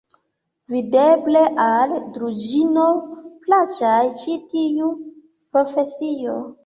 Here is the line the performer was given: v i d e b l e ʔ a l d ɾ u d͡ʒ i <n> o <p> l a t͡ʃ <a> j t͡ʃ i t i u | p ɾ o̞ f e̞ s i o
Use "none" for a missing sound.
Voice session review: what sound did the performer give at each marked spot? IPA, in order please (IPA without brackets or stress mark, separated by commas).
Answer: n, p, a